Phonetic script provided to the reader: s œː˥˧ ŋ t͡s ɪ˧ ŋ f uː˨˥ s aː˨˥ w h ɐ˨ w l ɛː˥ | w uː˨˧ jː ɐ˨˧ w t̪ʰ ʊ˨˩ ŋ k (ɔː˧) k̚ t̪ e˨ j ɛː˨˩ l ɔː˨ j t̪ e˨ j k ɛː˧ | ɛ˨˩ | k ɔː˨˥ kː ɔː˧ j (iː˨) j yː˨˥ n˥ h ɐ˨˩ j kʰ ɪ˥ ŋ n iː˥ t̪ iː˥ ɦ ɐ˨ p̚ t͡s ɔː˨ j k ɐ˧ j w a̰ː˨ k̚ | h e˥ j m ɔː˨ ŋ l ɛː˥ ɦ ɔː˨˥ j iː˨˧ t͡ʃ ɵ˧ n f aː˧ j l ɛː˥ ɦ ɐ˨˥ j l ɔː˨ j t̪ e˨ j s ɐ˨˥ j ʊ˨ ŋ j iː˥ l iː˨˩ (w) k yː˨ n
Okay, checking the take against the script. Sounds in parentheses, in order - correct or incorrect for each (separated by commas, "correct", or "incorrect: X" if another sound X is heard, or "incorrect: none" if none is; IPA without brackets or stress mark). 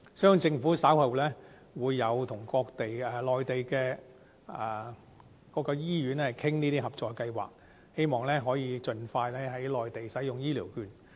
correct, incorrect: iː˥, correct